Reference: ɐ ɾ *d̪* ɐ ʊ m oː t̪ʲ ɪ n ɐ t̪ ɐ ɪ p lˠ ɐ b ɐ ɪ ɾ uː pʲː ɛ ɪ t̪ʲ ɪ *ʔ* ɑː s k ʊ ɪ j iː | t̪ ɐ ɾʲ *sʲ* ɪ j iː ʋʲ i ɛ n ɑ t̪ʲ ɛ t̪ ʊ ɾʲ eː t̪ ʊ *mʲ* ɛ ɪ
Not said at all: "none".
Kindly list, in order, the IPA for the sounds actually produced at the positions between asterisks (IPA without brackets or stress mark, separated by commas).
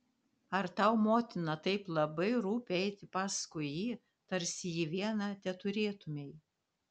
t̪, p, sʲ, mʲ